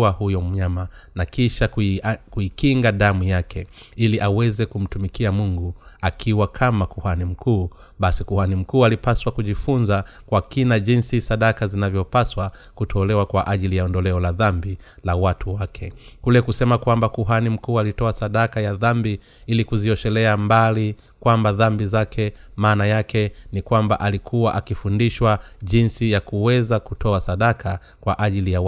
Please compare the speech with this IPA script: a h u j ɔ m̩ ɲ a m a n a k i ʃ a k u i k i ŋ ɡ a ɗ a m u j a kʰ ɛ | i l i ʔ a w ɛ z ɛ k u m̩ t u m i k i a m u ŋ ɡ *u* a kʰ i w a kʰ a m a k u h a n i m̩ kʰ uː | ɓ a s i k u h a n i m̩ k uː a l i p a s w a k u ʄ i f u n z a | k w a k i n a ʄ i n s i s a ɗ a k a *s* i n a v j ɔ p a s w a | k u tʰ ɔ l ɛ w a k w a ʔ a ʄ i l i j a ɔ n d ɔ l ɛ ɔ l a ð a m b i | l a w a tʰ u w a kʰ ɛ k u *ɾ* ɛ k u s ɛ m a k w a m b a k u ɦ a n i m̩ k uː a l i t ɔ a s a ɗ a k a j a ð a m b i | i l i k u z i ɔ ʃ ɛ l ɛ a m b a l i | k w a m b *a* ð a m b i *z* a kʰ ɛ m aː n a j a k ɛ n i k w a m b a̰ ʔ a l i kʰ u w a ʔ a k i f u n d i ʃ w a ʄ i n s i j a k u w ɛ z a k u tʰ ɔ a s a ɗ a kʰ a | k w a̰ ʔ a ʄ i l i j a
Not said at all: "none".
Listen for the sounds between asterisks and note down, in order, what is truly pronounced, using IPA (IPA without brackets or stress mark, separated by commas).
u, z, l, a, z